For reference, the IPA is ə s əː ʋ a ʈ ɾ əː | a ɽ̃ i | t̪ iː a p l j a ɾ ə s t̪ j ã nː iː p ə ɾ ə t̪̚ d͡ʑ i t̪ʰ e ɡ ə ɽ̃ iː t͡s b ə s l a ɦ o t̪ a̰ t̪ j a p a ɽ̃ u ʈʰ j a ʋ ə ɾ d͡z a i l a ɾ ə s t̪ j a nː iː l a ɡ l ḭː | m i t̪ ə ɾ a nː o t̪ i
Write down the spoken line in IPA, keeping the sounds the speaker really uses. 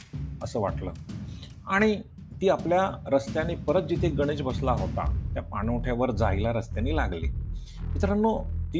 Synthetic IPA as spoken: ə s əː ʋ a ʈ l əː | a ɽ̃ i | t̪ iː a p l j a ɾ ə s t̪ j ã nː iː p ə ɾ ə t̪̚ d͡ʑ i t̪ʰ e ɡ ə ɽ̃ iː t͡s b ə s l a ɦ o t̪ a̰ t̪ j a p a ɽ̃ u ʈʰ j a ʋ ə ɾ d͡z a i l a ɾ ə s t̪ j a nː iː l a ɡ l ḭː | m i t̪ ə ɾ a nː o t̪ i